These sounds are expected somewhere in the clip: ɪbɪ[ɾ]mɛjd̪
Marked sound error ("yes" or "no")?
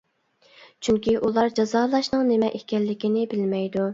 yes